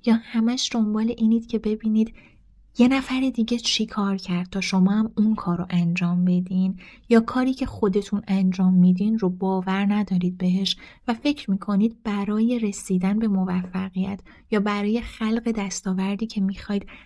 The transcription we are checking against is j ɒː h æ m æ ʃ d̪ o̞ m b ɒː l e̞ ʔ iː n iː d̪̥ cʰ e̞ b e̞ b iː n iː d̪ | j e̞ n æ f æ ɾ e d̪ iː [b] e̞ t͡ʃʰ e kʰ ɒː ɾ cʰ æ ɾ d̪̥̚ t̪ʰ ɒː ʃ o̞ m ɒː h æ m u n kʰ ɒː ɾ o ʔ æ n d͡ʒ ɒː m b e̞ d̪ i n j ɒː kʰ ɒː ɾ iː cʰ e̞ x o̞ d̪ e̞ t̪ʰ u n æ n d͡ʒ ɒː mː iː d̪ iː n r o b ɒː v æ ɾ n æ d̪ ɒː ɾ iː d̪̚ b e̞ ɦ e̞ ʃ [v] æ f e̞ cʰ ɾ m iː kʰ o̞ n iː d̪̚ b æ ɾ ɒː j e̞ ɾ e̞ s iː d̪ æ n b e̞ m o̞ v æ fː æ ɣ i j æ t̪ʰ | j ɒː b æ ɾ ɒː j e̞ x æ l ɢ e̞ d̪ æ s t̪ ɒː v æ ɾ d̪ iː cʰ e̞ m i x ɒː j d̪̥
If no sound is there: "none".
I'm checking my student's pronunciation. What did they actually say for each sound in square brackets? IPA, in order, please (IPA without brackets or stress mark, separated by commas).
ɟ, v